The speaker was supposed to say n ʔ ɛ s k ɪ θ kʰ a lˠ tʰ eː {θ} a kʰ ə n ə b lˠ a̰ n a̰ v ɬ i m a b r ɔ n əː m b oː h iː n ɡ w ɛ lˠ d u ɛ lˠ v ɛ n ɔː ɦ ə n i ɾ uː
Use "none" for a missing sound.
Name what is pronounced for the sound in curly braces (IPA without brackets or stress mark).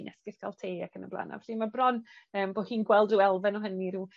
none